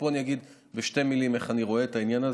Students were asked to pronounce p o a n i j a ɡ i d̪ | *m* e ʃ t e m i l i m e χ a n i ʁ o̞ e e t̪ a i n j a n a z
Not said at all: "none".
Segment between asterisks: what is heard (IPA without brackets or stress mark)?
b